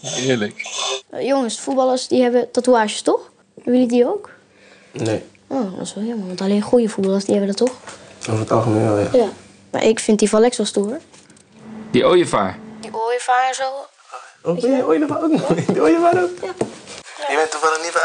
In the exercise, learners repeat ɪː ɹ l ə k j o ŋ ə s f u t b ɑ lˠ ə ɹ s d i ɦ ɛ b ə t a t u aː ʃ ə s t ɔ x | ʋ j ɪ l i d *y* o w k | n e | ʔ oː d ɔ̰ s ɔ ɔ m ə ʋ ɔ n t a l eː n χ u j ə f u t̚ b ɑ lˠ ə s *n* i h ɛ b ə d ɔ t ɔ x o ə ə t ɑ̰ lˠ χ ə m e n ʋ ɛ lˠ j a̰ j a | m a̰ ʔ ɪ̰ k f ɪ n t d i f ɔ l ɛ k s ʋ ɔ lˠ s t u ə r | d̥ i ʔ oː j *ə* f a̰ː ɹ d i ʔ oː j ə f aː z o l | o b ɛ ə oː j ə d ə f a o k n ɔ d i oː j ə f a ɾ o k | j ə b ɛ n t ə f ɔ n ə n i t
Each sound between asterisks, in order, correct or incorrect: incorrect, incorrect, correct

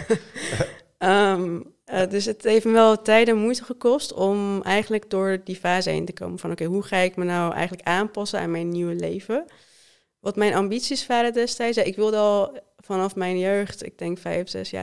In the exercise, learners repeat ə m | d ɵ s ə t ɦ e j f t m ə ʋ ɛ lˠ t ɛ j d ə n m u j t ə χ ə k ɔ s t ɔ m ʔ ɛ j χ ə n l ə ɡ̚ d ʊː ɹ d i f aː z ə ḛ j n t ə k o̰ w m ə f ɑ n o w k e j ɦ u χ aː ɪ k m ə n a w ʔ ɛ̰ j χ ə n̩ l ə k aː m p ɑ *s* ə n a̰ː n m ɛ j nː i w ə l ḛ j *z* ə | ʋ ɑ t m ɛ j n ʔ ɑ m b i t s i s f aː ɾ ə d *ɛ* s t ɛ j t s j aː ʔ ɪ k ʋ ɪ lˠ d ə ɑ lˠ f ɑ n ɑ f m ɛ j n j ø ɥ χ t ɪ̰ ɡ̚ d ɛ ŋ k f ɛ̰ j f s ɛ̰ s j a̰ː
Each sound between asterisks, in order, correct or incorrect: correct, incorrect, correct

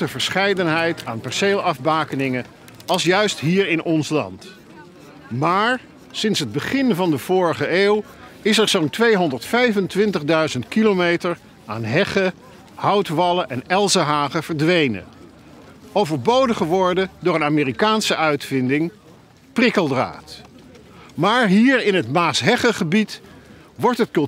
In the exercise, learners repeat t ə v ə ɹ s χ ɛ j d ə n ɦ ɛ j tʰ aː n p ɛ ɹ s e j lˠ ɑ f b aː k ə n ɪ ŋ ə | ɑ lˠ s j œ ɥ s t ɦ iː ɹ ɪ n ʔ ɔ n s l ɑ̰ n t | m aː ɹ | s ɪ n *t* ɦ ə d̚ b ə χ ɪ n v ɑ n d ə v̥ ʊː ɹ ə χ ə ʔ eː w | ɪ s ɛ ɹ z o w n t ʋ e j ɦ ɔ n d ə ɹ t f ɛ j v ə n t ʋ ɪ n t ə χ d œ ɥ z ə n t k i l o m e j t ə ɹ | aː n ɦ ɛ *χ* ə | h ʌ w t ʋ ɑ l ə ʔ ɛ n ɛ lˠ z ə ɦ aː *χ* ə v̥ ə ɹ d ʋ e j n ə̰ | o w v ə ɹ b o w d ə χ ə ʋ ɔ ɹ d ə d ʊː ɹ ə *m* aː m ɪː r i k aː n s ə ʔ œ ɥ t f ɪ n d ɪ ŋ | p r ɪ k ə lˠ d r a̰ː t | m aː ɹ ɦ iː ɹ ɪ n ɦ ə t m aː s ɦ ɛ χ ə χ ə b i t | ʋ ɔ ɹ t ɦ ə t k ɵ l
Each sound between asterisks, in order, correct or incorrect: incorrect, correct, correct, incorrect

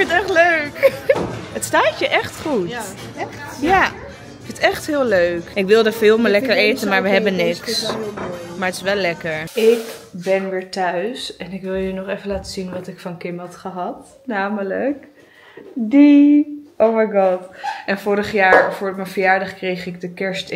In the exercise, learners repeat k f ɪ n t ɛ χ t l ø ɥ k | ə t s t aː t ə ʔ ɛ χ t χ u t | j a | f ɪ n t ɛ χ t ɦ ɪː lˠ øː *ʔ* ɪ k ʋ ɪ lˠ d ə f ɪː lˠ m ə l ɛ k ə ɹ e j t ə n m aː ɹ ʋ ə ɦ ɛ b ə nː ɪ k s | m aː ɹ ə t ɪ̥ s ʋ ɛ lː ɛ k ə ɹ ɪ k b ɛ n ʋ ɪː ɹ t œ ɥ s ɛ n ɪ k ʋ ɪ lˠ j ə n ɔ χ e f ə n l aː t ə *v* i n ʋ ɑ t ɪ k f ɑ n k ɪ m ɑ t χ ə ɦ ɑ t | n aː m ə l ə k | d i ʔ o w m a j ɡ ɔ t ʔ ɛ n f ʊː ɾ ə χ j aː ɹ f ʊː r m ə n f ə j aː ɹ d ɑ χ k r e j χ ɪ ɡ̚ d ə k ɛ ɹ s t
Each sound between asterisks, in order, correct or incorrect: incorrect, incorrect

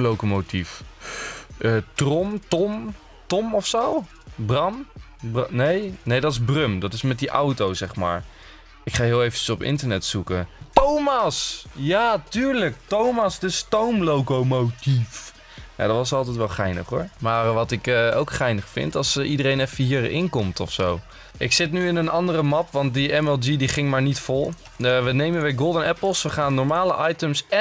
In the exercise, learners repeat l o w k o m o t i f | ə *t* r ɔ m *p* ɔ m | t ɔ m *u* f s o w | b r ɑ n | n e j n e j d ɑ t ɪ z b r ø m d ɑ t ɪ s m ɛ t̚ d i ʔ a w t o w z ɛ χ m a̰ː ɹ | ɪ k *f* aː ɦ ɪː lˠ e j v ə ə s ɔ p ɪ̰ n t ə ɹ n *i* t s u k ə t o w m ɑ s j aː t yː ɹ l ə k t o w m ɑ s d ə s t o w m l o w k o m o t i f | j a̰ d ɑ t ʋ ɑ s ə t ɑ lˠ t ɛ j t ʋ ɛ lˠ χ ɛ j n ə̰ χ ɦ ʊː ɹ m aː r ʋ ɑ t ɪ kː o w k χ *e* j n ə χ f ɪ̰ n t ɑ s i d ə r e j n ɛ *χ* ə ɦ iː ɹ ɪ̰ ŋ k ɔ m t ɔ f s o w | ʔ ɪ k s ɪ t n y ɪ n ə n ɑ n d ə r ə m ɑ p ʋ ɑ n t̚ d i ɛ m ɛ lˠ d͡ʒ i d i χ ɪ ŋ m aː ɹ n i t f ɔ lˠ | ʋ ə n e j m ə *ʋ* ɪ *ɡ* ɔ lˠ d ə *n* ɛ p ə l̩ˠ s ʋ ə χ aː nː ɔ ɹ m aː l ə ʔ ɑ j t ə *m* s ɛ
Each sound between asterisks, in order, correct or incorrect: correct, incorrect, incorrect, incorrect, incorrect, incorrect, incorrect, correct, correct, correct, correct

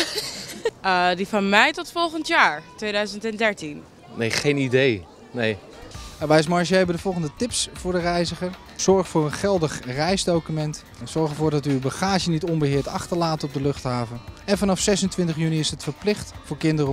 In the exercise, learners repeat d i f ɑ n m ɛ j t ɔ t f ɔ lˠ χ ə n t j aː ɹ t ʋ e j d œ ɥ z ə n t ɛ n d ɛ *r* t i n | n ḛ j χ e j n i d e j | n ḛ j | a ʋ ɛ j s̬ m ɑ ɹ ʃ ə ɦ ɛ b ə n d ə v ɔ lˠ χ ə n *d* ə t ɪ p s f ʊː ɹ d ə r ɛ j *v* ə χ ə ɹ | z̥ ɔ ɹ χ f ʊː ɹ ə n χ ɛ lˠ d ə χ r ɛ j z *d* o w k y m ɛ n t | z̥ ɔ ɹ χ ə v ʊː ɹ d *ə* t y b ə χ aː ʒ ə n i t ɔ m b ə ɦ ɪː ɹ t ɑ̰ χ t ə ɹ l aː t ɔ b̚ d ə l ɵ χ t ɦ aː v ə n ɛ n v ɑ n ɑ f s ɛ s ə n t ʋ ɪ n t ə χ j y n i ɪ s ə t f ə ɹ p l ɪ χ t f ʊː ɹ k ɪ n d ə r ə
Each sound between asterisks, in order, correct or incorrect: incorrect, correct, incorrect, correct, incorrect

